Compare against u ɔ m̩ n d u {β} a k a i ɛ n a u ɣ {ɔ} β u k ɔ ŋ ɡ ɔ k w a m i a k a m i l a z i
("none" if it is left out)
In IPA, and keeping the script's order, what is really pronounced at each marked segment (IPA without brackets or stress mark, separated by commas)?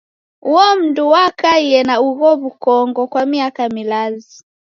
w, ɔ